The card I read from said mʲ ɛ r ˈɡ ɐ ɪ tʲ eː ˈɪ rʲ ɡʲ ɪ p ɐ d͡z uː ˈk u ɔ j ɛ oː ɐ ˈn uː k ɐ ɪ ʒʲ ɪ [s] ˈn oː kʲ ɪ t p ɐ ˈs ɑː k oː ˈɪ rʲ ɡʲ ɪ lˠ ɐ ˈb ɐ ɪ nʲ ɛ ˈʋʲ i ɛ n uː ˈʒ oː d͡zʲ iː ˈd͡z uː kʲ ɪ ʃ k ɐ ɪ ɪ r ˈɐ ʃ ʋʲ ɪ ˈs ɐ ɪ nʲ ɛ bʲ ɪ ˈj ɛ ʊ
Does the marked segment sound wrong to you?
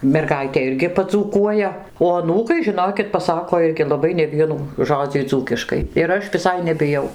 yes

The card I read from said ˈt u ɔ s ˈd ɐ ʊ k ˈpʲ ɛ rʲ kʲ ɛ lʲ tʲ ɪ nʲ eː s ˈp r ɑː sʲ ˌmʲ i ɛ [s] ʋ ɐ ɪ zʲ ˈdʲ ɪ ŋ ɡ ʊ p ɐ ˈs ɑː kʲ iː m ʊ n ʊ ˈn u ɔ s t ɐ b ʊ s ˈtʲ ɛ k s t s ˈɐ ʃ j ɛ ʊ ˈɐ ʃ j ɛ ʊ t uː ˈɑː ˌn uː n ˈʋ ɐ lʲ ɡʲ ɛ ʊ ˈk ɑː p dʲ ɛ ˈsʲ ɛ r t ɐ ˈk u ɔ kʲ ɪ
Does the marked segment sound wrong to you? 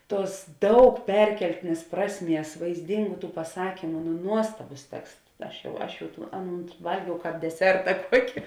no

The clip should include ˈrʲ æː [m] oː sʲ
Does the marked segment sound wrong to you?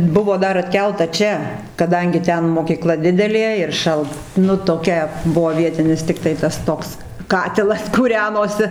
yes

